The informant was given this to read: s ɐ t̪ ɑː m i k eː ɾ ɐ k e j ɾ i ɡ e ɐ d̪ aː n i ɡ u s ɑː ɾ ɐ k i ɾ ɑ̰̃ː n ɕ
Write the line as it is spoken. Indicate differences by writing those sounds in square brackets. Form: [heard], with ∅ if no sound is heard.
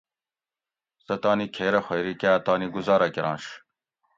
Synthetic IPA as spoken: s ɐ t̪ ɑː [n] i [kʰ] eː ɾ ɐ [x] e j ɾ i [k] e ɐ [t̪] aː n i ɡ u [z] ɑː ɾ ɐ k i ɾ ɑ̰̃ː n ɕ